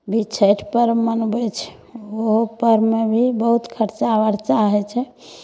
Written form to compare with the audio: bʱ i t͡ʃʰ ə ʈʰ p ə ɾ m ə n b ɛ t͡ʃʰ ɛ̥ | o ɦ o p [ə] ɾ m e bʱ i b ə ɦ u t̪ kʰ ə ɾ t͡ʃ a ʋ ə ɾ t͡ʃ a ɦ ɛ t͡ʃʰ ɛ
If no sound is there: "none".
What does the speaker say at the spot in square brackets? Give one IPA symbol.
ə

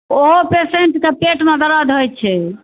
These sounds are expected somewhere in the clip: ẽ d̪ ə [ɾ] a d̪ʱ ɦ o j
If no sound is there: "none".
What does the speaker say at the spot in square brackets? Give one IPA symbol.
ɾ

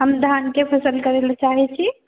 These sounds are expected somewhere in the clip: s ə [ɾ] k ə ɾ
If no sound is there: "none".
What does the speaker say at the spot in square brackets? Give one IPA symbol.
l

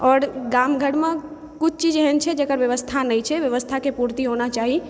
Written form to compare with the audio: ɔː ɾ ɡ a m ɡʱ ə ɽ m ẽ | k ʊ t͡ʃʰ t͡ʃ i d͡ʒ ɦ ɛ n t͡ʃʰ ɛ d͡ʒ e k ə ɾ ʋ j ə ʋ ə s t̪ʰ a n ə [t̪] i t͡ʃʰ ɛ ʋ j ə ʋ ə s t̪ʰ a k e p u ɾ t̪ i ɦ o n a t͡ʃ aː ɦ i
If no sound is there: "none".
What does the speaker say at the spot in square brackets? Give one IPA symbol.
none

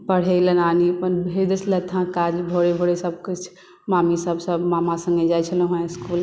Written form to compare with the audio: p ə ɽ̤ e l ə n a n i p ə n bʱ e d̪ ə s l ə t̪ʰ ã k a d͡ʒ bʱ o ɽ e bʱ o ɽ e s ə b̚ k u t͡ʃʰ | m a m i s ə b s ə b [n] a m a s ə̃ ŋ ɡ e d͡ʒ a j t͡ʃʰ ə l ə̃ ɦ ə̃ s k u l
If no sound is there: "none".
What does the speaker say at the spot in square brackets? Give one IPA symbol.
m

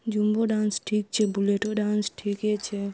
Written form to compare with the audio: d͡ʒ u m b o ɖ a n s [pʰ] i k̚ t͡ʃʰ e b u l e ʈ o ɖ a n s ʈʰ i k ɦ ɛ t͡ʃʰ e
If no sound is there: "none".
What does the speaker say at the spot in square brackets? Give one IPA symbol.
ʈʰ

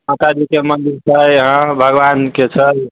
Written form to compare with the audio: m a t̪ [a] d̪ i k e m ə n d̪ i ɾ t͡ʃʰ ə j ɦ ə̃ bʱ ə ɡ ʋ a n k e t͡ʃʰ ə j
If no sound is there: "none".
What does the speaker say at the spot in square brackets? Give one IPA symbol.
a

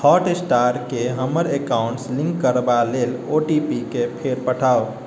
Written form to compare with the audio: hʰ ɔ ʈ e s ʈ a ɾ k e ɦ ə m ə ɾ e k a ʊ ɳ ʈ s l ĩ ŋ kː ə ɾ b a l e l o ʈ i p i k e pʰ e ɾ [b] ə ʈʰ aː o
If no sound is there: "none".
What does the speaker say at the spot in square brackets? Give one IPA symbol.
p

